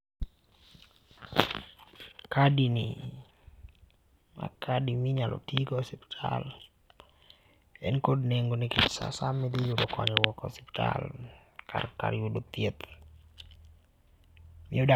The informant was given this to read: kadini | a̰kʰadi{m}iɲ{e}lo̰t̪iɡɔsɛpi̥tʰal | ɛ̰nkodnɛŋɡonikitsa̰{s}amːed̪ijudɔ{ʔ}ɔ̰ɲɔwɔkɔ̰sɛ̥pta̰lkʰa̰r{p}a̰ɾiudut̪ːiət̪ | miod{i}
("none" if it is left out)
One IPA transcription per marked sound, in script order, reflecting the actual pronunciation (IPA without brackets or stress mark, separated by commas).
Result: m, a, s, k, k, a